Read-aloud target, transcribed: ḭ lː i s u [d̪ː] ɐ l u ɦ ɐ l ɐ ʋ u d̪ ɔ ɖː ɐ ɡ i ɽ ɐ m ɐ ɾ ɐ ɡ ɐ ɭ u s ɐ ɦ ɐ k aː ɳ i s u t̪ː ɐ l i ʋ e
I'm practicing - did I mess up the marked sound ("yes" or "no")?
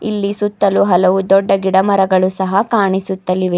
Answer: yes